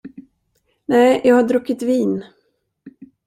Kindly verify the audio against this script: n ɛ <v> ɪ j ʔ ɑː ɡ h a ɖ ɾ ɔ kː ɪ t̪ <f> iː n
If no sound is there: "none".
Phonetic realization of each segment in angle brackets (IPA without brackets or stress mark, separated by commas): none, v